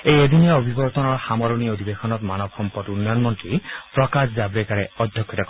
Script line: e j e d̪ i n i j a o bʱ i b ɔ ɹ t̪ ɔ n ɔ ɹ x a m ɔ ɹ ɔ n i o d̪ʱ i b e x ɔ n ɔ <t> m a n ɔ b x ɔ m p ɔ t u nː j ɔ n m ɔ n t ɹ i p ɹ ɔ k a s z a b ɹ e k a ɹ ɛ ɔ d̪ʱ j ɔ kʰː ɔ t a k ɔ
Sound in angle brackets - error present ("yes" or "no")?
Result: no